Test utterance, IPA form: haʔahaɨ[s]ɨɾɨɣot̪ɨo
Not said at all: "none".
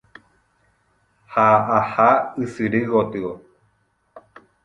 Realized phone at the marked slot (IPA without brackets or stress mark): s